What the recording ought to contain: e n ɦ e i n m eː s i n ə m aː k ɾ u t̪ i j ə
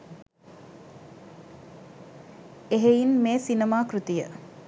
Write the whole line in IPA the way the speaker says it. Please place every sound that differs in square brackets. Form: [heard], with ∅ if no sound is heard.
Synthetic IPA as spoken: e [∅] ɦ e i n m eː s i n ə m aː k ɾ u t̪ i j ə